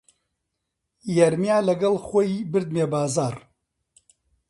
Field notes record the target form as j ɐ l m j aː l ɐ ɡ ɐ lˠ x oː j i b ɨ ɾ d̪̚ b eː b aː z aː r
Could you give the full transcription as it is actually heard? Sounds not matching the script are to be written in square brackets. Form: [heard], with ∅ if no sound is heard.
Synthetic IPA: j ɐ [ɾ] m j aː l ɐ ɡ ɐ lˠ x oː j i b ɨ ɾ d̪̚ [m] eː b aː z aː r